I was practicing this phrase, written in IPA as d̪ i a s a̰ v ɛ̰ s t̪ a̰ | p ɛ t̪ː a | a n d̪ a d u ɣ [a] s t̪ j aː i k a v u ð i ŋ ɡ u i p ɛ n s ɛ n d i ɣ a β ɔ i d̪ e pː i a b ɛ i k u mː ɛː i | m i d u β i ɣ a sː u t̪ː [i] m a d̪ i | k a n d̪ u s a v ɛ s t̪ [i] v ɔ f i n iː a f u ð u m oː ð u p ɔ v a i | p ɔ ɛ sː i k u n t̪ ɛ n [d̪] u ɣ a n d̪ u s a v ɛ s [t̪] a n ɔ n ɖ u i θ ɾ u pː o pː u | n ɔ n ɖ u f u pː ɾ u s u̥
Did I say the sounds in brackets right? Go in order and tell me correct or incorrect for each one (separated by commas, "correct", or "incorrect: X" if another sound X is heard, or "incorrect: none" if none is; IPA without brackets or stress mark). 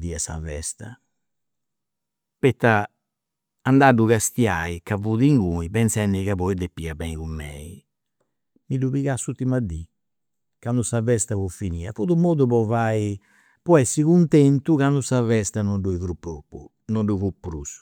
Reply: correct, correct, incorrect: a, incorrect: t̪, correct